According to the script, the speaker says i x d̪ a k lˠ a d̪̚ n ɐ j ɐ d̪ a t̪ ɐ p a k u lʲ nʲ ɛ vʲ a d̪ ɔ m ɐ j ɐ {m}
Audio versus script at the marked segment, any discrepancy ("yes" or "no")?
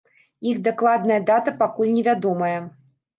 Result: yes